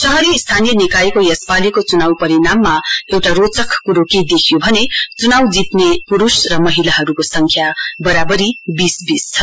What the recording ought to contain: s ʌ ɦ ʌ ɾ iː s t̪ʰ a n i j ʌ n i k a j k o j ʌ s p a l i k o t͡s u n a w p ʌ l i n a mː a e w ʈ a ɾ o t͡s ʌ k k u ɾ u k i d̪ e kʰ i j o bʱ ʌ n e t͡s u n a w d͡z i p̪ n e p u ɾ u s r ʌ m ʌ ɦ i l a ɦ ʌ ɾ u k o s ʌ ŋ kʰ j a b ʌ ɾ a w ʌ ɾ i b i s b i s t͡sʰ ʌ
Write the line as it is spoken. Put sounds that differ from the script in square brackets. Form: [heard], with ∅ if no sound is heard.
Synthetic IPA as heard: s ʌ ɦ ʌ ɾ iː s t̪ʰ a n i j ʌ n i k a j k o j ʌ s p a l i k o t͡s u n a w p ʌ [ɾ] i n a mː a e w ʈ a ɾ o t͡s ʌ k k u ɾ [o] k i d̪ e kʰ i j o bʱ ʌ n e t͡s u n a w d͡z i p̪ n e p u ɾ u s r ʌ m ʌ ɦ i l a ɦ ʌ ɾ u k o s ʌ ŋ kʰ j a b ʌ ɾ a [b] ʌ ɾ i b i s b i s t͡sʰ ʌ

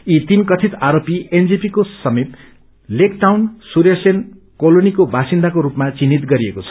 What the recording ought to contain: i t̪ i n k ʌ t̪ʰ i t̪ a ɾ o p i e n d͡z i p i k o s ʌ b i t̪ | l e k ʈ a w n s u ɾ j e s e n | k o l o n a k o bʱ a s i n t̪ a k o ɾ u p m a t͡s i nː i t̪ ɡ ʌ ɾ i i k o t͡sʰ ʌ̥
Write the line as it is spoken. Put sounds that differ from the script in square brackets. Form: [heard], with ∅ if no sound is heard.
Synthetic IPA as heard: i t̪ i n k ʌ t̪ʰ i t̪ a ɾ o p i e n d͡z i p i k o s ʌ [m] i t̪ | l e k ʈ a w n s u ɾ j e s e n | k o l o n [i] k o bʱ a s i n [d̪] a k o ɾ u p m a t͡s i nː i t̪ ɡ ʌ ɾ i [e] k o t͡sʰ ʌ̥

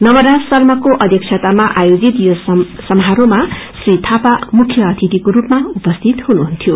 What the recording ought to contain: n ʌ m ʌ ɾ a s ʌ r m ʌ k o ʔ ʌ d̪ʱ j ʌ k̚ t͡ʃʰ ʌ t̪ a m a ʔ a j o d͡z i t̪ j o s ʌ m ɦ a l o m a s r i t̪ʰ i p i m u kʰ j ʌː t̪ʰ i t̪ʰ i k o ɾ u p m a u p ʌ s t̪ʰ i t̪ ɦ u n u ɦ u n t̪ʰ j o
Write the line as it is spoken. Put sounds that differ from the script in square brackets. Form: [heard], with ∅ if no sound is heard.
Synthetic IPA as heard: n ʌ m ʌ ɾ a s ʌ r m ʌ k o ʔ ʌ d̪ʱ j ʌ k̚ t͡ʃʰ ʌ t̪ a m a ʔ a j o d͡z i t̪ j o s ʌ m ɦ a [ɾ] o m a s r i t̪ʰ [a] p [a] m u kʰ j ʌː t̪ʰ i [t̪] i k o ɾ u p m a u p ʌ s t̪ʰ i t̪ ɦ u n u ɦ u n t̪ʰ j o

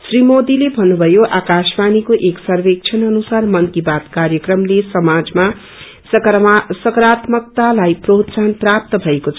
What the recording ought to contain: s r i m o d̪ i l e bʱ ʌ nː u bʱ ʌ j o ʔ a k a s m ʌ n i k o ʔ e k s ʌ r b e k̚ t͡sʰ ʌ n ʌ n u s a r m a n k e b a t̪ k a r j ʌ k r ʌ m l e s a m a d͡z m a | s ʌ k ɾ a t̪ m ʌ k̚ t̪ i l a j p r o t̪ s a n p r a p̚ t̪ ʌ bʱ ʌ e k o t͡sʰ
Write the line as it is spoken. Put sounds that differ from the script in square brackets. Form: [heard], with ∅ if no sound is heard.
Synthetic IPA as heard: s r i m o d̪ i l e bʱ ʌ nː u bʱ ʌ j o ʔ a k a s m [a] n i k o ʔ e k s ʌ r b e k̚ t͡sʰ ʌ n ʌ n u s a r m [ʌ] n k [i] b a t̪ k a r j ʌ k r ʌ m l e s [ʌ] m a d͡z m a | s ʌ k ɾ a t̪ m ʌ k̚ t̪ [a] l a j p r o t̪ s a n p r a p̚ t̪ ʌ bʱ ʌ e k o t͡sʰ

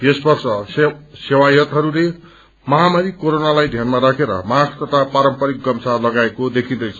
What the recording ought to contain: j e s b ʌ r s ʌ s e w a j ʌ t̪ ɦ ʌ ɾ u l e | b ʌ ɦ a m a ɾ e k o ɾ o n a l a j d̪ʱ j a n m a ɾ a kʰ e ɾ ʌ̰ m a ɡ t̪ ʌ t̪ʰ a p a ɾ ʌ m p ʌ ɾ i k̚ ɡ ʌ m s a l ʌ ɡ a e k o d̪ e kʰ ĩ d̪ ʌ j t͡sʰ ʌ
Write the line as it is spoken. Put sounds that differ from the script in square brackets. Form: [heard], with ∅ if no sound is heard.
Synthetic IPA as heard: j e s b ʌ r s ʌ s e w a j ʌ t̪ ɦ ʌ ɾ u l e | [m] ʌ ɦ a m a ɾ [i] k o ɾ o n a l a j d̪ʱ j a n m a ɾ a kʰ e ɾ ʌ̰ m a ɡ t̪ ʌ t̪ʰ a p a ɾ ʌ m p ʌ ɾ i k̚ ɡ ʌ m s a l ʌ ɡ a e k o d̪ e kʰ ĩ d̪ ʌ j t͡sʰ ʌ

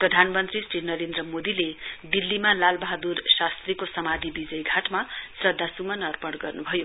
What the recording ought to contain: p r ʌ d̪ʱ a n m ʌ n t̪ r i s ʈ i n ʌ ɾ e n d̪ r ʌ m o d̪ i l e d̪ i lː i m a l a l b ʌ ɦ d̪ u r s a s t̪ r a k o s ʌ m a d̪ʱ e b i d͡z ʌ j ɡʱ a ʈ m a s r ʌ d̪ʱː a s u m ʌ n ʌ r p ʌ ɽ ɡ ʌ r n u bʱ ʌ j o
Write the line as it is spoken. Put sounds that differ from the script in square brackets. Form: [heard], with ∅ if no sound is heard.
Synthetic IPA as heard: p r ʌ d̪ʱ a n m ʌ n t̪ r i s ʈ i n ʌ ɾ e n d̪ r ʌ m o d̪ i l e d̪ i lː i m a l a l b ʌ ɦ d̪ u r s a s t̪ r [i] k o s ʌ m a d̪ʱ [i] b i d͡z ʌ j ɡʱ a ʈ m a s r ʌ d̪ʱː a s u m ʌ n ʌ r p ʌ ɽ ɡ ʌ r n u bʱ ʌ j o

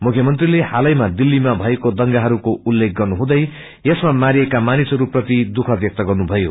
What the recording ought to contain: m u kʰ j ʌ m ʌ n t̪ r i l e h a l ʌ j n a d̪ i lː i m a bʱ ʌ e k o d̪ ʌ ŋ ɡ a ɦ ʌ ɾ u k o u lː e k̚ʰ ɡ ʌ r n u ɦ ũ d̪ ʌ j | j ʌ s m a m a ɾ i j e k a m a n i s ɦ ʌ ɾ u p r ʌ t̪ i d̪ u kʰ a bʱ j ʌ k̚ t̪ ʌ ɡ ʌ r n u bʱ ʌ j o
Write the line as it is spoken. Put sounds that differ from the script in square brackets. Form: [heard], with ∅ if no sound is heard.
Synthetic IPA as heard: m u kʰ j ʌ m ʌ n t̪ r i l e h a l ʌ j [m] a d̪ i lː i m a bʱ ʌ e k o d̪ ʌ ŋ ɡ a ɦ ʌ ɾ u k o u lː e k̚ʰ ɡ ʌ r n u ɦ ũ d̪ ʌ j | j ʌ s m a m a ɾ i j e k a m a n i s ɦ ʌ ɾ u p r ʌ t̪ i d̪ u kʰ [ʌ] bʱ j ʌ k̚ t̪ ʌ ɡ ʌ r n u bʱ ʌ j o

